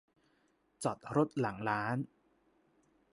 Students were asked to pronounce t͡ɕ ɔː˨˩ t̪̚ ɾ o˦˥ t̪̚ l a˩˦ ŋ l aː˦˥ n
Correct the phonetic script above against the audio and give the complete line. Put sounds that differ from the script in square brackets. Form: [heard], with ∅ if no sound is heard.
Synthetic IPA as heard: t͡ɕ [ɔ˨˩] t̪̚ ɾ o˦˥ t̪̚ l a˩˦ ŋ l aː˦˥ n